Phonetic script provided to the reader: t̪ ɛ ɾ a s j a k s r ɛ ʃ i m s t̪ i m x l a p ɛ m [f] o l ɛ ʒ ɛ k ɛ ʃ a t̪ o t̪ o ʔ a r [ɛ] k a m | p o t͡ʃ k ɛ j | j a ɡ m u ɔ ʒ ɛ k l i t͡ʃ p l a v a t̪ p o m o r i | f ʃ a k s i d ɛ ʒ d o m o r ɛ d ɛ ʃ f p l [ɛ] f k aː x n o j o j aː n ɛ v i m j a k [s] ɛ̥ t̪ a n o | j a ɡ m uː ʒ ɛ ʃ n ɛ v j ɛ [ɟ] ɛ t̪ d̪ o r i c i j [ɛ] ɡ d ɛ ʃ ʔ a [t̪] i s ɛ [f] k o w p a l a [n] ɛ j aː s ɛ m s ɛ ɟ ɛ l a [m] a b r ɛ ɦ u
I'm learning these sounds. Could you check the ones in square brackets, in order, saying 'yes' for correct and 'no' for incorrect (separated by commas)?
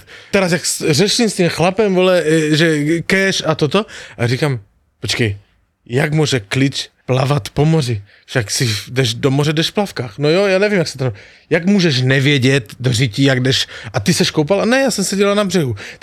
no, no, no, yes, yes, no, yes, no, yes, no